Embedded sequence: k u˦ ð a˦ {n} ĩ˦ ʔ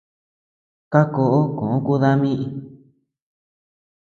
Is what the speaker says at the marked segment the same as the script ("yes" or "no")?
no